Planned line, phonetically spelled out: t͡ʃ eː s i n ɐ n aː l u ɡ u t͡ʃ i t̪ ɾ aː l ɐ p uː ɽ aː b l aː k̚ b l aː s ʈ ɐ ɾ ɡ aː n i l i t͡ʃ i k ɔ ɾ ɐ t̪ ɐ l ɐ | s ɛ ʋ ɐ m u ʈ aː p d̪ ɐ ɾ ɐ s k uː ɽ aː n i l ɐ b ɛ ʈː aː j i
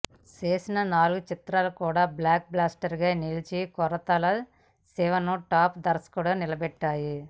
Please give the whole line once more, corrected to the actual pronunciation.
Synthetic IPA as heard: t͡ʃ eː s i n ɐ n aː l u ɡ u t͡ʃ i t̪ ɾ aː l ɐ k uː ɽ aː b l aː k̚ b l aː s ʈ ɐ ɾ ɡ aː n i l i t͡ʃ i k ɔ ɾ ɐ t̪ ɐ l ɐ | s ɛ ʋ ɐ n u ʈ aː p d̪ ɐ ɾ ɐ s k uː ɽ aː n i l ɐ b ɛ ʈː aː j i

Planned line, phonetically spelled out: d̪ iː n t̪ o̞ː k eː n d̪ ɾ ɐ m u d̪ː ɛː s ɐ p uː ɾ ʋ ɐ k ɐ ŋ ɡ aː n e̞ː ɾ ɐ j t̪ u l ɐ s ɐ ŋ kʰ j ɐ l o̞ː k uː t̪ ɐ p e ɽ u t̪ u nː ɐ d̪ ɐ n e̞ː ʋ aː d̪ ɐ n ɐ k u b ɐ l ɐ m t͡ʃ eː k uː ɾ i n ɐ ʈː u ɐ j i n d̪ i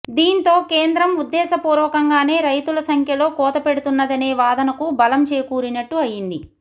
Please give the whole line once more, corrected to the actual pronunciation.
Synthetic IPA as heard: d̪ iː n t̪ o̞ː k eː n d̪ ɾ ɐ m u d̪ː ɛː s ɐ p uː ɾ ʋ ɐ k ɐ ŋ ɡ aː n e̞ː ɾ ɐ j t̪ u l ɐ s ɐ ŋ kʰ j ɐ l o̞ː k ɔː t̪ ɐ p e ɽ u t̪ u nː ɐ d̪ ɐ n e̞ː ʋ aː d̪ ɐ n ɐ k u b ɐ l ɐ m t͡ʃ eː k uː ɾ i n ɐ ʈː u ɐ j i n d̪ i

